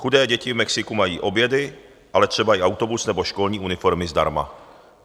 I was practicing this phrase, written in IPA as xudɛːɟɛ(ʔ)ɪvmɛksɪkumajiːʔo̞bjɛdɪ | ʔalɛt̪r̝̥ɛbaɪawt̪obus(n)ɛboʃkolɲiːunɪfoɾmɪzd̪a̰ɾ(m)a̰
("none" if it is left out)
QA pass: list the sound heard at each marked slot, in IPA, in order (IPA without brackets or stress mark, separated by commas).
c, n, m